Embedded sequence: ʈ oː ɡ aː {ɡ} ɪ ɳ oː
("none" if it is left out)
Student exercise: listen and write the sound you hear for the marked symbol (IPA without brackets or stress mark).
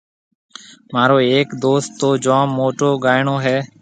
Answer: none